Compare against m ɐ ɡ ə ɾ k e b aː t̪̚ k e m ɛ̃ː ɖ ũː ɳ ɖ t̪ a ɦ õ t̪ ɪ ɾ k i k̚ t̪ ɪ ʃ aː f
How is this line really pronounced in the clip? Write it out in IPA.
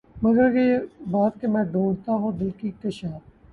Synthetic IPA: m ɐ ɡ ə ɾ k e b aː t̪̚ k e m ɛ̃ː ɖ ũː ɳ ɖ t̪ a ɦ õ d̪ ɪ l k i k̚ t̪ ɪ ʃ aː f